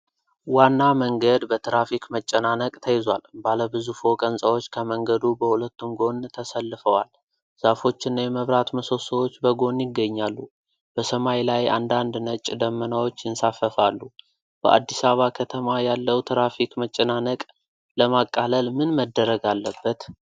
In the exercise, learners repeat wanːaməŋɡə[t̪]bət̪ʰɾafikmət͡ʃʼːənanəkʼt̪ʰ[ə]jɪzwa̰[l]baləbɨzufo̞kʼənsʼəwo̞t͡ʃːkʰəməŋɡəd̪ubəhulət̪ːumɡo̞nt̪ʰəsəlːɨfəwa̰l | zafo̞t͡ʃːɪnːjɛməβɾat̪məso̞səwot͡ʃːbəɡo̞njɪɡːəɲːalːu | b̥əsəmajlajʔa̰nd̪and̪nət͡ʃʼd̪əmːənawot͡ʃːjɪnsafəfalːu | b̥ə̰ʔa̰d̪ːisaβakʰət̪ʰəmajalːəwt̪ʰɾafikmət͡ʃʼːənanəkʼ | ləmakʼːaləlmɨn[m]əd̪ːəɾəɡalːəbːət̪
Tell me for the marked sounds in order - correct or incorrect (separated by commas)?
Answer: incorrect, correct, correct, correct